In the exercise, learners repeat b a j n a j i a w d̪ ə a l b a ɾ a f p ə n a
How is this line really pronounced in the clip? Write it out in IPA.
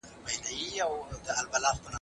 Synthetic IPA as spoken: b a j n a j i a w d̪ ə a l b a l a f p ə n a